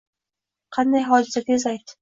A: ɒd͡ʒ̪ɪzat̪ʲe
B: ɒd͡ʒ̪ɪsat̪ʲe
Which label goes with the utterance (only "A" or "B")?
B